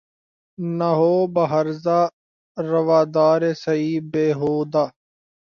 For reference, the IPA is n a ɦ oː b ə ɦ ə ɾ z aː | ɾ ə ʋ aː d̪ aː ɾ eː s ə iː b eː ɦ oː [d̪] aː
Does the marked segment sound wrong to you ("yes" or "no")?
no